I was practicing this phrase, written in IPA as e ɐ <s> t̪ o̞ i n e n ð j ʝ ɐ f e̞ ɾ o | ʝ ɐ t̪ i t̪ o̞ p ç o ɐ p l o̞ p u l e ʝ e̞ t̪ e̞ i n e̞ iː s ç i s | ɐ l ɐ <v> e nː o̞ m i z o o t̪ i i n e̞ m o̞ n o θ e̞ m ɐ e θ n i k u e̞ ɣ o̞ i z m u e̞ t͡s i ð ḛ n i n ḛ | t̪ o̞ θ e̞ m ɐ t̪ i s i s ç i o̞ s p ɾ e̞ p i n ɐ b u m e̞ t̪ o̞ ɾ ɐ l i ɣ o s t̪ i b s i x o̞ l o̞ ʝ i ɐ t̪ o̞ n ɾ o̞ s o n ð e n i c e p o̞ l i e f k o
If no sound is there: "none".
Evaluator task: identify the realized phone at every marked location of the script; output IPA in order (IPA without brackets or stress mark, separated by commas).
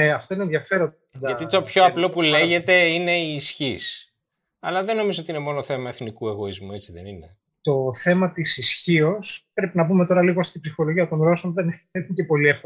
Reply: f, ð